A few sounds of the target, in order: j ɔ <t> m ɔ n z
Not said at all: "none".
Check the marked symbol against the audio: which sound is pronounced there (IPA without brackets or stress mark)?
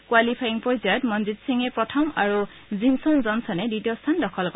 t